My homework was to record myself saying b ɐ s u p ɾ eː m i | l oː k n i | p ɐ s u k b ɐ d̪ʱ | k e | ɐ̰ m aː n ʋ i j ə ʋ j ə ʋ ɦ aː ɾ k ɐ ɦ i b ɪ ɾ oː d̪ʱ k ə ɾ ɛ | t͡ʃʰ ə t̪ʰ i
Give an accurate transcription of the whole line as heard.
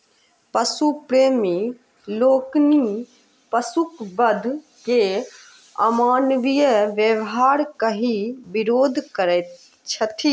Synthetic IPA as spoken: p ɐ s u p ɾ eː m i | l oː k n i | p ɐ s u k b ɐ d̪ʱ | k e | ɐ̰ m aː n ʋ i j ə ʋ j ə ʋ ɦ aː ɾ k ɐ ɦ i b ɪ ɾ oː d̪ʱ k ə ɾ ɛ | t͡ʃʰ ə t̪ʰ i